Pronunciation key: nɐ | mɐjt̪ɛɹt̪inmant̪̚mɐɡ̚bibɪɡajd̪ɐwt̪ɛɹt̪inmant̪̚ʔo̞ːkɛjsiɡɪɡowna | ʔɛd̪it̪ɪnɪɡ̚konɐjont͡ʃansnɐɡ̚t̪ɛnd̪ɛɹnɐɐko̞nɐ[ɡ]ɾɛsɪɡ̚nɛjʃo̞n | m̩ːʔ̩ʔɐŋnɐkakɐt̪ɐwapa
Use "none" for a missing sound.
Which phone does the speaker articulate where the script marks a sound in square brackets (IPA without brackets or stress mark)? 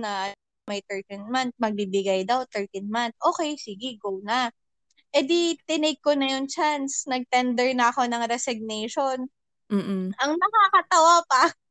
ŋ